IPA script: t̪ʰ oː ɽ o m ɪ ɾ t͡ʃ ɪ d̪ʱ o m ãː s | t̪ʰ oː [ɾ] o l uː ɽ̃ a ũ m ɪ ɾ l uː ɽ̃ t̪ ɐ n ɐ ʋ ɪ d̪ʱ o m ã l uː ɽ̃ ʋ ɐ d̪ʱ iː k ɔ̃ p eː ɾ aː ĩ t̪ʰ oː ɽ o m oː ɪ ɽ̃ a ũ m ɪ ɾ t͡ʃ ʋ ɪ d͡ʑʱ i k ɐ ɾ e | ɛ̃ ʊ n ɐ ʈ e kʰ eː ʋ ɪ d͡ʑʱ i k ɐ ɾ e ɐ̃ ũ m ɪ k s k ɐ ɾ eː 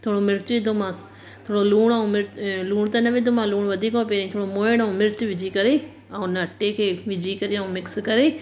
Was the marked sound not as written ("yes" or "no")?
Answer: yes